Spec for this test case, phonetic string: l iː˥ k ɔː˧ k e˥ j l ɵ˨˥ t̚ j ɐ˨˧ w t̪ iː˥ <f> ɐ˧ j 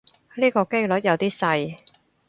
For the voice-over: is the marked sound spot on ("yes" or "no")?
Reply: no